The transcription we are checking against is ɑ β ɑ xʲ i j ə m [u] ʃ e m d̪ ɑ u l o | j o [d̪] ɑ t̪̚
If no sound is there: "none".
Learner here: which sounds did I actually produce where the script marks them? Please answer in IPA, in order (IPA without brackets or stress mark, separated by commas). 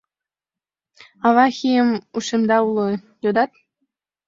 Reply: u, d̪